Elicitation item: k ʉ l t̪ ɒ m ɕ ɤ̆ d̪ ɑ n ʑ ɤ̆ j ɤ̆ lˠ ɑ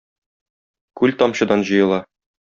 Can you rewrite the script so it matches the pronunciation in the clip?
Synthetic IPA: k ʉ l t̪ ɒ m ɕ ɤ̆ d̪ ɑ n ʑ ɤ̆ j ɤ̆ lˠ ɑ

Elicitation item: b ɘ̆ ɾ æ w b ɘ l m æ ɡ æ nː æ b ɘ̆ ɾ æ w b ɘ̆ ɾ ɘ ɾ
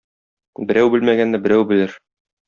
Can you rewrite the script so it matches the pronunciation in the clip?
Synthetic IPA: b ɘ̆ ɾ æ w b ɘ l m æ ɡ æ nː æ b ɘ̆ ɾ æ w b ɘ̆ l ɘ ɾ

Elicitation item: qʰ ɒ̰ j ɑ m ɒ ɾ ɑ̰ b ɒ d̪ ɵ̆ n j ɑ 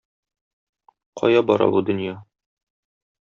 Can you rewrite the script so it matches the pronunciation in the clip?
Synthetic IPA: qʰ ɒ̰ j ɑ b ɒ ɾ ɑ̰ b u d̪ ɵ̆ n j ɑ

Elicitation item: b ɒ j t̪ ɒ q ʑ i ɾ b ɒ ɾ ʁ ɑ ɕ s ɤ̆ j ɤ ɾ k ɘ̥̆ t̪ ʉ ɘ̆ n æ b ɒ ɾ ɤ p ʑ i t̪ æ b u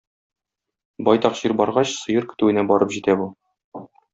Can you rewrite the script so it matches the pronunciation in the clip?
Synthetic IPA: b ɒ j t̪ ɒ q ʑ i ɾ b ɒ ɾ ʁ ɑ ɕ s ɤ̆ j ɤ ɾ k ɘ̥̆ t̪ ʉ ɘ̆ n æ b ɒ ɾ ɤ p ʑ i t̪ æ b u

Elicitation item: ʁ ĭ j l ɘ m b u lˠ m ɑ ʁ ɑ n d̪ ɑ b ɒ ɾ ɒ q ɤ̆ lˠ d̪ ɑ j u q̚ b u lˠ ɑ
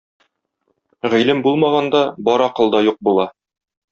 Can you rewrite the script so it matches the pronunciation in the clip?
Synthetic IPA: ʁ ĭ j l ɘ m b u lˠ m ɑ ʁ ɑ n d̪ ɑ b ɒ ɾ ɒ q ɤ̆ lˠ d̪ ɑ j u q̚ b u lˠ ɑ

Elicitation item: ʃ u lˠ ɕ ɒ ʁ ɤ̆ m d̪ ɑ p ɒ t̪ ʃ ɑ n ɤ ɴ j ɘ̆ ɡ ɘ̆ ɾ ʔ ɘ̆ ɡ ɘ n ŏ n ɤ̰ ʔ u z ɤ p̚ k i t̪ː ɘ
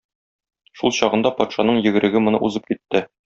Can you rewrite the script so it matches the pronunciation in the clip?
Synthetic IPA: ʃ u lˠ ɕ ɒ ʁ ɤ̆ n d̪ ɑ p ɒ t̪ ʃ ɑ n ɤ ɴ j ɘ̆ ɡ ɘ̆ ɾ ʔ ɘ̆ ɡ ɘ m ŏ n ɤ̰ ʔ u z ɤ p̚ k i t̪ː ɘ

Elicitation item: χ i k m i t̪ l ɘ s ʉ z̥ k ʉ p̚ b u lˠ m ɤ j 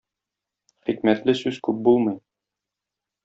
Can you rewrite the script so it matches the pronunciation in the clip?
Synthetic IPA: χ i k m æ t̪ l ɘ s ʉ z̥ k ʉ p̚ b u lˠ m ɤ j

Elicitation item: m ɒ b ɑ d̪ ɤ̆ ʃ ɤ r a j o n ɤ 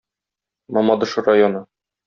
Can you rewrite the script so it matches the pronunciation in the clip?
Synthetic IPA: m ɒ m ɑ d̪ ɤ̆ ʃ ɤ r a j o n ɤ

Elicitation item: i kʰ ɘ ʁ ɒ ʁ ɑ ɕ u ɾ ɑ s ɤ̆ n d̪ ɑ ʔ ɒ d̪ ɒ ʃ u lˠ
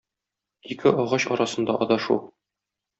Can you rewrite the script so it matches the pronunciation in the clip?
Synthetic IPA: i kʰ ɘ ɒ ʁ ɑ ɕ ɒ ɾ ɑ s ɤ̆ n d̪ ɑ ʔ ɒ d̪ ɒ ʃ u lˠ

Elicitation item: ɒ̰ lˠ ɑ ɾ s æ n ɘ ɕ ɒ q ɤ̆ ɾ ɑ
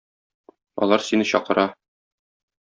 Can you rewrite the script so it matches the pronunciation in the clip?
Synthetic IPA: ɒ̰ lˠ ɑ ɾ s i n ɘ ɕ ɒ q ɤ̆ ɾ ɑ

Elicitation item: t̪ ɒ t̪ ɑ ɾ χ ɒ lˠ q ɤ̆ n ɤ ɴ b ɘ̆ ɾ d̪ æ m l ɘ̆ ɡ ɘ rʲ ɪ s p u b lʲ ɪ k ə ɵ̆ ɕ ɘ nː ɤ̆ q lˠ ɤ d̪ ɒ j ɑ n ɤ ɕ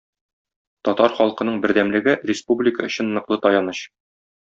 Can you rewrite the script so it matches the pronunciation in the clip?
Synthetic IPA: t̪ ɒ t̪ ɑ ɾ χ ɒ lˠ q ɤ̆ n ɤ ɴ b ɘ̆ ɾ d̪ æ m l ɘ̆ ɡ ɘ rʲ ɪ s p u b lʲ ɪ k ə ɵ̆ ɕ ɘ nː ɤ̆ q lˠ ɤ t̪ ɒ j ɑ n ɤ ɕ

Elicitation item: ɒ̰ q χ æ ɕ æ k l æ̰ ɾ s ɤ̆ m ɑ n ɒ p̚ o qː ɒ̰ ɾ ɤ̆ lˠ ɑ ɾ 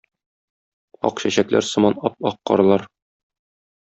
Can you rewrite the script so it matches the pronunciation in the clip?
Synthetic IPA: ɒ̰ q ɕ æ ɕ æ k l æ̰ ɾ s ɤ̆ m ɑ n ɒ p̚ ɒ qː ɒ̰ ɾ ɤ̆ lˠ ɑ ɾ

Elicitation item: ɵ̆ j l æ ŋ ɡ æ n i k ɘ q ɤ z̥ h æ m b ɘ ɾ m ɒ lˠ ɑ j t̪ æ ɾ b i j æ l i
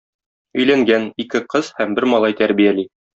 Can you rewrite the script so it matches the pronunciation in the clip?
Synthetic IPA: ɵ̆ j l æ ŋ ɡ æ n i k ɘ q ɤ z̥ h æ m b ɘ ɾ m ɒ lˠ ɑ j t̪ æ ɾ b i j æ l i

